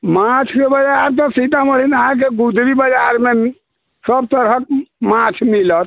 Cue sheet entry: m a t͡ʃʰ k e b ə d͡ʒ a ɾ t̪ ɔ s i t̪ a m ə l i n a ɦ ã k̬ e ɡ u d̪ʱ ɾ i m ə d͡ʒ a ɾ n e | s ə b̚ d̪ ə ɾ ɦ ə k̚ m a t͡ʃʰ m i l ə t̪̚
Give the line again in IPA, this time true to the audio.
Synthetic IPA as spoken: m a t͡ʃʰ k e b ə d͡ʒ a ɾ t̪ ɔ s i t̪ a m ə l i n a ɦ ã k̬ e ɡ u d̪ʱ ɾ i b ə d͡ʒ a ɾ m e | s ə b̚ t̪ ə ɾ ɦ ə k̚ m a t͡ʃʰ m i l ə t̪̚

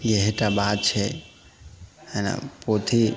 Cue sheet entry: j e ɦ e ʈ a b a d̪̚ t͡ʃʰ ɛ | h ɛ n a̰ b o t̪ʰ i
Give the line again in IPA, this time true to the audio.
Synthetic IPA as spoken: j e ɦ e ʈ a b a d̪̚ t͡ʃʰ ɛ | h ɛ n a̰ p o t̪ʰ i

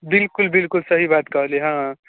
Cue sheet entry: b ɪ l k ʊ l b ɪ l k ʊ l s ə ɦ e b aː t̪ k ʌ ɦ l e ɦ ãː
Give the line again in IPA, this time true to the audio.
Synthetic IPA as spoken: b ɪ l k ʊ l b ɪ l k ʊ l s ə ɦ i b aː t̪ k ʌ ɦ l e ɦ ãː

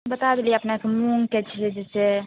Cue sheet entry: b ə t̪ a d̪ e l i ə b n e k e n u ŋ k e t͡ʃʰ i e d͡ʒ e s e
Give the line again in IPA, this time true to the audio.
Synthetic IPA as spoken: b ə t̪ a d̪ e l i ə p n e k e m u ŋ k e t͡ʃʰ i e d͡ʒ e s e

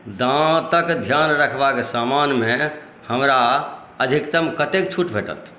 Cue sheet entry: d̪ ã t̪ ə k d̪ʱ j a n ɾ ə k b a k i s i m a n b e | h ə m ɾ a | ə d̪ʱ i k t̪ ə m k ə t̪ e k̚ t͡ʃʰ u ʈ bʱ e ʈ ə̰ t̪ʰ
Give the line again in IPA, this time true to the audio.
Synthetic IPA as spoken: d̪ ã t̪ ə k d̪ʱ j a n ɾ ə kʰ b a k e s a m a n m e | h ə m ɾ a | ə d̪ʱ i k t̪ ə m k ə t̪ e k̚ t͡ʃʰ u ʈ bʱ e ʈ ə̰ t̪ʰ

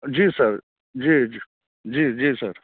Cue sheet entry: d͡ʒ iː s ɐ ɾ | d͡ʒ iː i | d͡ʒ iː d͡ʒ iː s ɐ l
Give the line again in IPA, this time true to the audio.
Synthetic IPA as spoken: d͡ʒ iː s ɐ ɾ | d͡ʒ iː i | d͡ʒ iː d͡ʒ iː s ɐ ɾ

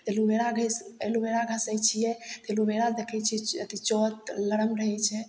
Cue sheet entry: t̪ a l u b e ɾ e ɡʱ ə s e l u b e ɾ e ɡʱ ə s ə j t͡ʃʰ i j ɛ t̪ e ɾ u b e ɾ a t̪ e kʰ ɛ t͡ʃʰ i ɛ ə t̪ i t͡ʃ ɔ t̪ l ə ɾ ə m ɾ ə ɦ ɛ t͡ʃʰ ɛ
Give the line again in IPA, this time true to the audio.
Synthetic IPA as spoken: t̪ e l u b e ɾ a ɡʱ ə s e l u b e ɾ a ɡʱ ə s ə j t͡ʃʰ i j ɛ t̪ e l u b e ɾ a d̪ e kʰ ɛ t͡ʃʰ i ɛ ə t̪ i t͡ʃ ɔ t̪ l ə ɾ ə m ɾ ə ɦ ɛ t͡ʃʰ ɛ

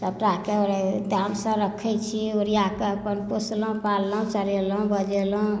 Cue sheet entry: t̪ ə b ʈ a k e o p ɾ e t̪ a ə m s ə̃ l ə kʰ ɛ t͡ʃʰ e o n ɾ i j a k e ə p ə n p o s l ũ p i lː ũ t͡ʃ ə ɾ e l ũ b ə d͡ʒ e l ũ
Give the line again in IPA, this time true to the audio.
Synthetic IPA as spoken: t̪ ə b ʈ a k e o ɾ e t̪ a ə m s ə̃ ɾ ə kʰ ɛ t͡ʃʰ i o ɾ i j a k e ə p ə n p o s l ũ p a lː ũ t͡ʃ ə ɾ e l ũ b ə d͡ʒ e l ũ

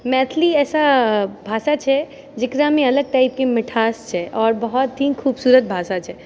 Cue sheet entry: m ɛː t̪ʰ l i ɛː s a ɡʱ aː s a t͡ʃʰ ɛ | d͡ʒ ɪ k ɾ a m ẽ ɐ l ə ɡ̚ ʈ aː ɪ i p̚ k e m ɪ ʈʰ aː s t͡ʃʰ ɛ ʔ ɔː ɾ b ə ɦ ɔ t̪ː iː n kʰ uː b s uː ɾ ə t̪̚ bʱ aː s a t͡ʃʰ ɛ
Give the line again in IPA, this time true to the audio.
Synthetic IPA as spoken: m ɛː t̪ʰ l i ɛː s a bʱ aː s a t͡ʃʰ ɛ | d͡ʒ ɪ k ɾ a m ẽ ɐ l ə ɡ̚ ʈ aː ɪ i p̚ k e m ɪ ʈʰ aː s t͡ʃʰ ɛ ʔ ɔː ɾ b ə ɦ ɔ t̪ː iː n kʰ uː b s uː ɾ ə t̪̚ bʱ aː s a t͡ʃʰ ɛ

